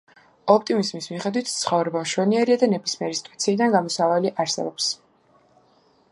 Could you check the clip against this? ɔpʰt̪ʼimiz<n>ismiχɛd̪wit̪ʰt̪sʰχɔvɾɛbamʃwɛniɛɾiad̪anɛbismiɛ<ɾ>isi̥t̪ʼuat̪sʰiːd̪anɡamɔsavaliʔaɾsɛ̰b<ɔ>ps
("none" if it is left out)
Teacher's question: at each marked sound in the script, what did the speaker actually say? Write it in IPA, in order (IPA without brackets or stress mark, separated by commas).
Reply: m, ɾ, ɔ